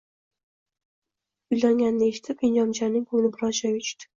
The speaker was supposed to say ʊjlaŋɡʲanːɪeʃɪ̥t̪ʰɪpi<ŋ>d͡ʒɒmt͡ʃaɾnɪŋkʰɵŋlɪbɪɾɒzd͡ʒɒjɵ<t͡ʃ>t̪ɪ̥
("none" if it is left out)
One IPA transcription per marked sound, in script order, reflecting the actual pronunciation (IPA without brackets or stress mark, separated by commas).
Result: n, t͡ʃ